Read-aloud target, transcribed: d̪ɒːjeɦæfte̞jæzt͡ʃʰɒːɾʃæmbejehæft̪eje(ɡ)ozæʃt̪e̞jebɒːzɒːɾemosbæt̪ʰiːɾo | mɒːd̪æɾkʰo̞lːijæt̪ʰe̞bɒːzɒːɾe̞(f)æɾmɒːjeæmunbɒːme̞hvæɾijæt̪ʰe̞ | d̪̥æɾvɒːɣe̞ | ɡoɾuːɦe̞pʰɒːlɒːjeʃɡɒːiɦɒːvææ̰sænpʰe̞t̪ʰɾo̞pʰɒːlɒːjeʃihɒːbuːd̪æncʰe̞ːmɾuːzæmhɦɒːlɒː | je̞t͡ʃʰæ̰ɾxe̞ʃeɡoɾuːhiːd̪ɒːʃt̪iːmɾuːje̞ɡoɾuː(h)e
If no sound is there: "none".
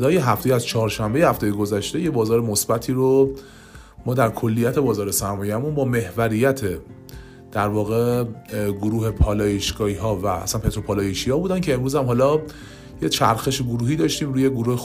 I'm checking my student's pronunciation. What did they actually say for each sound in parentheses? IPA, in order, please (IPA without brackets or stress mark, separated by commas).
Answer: ɡ, s, h